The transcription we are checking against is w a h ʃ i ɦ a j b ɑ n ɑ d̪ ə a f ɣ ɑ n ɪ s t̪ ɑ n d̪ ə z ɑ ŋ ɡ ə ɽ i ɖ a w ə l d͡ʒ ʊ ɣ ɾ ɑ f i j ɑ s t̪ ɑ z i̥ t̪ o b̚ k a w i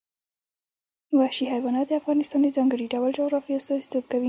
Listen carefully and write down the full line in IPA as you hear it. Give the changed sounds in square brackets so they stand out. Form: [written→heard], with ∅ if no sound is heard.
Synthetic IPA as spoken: w a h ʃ i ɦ a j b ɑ n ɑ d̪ ə a f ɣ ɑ n ɪ s t̪ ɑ n d̪ ə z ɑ ŋ ɡ ə ɽ i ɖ a w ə l d͡ʒ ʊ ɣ ɾ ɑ f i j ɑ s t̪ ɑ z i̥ t̪ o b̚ k a w i